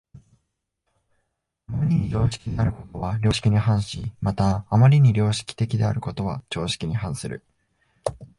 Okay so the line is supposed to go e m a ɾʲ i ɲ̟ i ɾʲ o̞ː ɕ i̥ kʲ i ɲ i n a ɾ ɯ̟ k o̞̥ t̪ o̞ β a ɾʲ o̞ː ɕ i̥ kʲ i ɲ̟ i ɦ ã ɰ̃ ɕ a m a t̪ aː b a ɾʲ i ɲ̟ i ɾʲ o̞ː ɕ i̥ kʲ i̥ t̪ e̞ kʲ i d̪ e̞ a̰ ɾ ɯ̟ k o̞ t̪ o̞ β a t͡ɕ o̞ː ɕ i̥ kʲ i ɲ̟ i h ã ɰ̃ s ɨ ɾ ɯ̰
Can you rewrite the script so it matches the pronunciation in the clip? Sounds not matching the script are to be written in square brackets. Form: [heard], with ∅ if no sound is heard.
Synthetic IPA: [a] m a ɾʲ i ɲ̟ i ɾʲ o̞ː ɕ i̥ kʲ i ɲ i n a ɾ ɯ̟ k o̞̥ t̪ o̞ β a ɾʲ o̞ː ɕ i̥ kʲ i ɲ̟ i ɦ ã ɰ̃ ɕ [i] m a t̪ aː [m] a ɾʲ i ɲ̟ i ɾʲ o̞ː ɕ i̥ kʲ i̥ t̪ e̞ kʲ i d̪ e̞ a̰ ɾ ɯ̟ k o̞ t̪ o̞ β a t͡ɕ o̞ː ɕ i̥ kʲ i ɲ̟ i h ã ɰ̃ s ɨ ɾ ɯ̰